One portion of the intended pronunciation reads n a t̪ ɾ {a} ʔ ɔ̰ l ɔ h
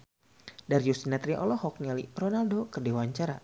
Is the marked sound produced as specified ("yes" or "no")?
no